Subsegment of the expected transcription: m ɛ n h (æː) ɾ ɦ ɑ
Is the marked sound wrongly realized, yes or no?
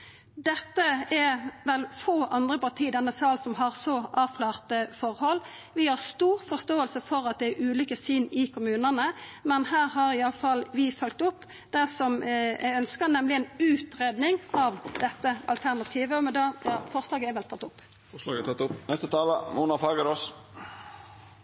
no